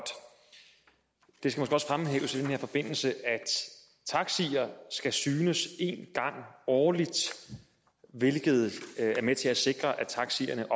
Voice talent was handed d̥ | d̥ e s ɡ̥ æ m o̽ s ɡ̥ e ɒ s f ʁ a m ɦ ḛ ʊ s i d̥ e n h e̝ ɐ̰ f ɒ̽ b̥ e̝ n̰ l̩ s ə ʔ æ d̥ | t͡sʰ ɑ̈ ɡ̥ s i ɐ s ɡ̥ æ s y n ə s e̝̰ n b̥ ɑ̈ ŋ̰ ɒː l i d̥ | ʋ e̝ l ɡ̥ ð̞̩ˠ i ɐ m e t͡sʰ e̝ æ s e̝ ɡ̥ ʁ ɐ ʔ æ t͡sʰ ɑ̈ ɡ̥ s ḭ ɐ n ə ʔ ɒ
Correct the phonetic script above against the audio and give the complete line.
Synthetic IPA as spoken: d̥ | d̥ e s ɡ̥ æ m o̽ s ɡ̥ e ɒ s f ʁ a m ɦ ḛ ʊ s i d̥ e n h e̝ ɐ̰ f ɒ̽ b̥ e̝ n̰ l̩ s ə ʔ æ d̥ | t͡sʰ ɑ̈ ɡ̥ s i ɐ s ɡ̥ æ s yː n ə s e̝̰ n ɡ̥ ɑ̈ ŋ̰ ɒː l i d̥ | ʋ e̝ l ɡ̥ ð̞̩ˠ æ ɐ m e t͡sʰ e̝ æ s e̝ ɡ̥ ʁ ɐ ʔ æ t͡sʰ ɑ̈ ɡ̥ s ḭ ɐ n ə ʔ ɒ